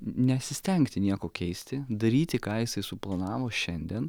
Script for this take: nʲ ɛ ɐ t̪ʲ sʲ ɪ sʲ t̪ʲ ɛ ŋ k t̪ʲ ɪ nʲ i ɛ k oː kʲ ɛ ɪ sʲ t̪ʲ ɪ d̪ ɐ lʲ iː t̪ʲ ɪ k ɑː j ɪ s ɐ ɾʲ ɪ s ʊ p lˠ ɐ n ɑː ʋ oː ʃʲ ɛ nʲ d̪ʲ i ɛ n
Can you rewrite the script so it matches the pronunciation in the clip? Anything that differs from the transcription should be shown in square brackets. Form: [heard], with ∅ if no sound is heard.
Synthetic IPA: nʲ ɛ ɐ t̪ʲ sʲ ɪ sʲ t̪ʲ ɛ ŋ k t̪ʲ ɪ nʲ i ɛ k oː kʲ ɛ ɪ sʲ t̪ʲ ɪ d̪ ɐ [ɾʲ] iː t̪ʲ ɪ k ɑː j ɪ s ɐ [∅] ɪ s ʊ p lˠ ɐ n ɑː ʋ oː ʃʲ ɛ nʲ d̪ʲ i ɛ n